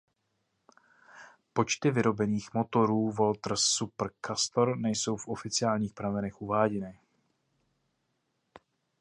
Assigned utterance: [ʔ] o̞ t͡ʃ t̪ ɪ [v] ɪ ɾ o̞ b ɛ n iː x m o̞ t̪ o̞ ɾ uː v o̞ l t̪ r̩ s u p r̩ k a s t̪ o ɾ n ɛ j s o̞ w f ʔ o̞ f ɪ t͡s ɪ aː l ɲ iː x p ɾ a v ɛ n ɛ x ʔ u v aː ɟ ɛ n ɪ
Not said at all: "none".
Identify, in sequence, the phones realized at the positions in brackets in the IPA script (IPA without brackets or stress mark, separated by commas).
p, v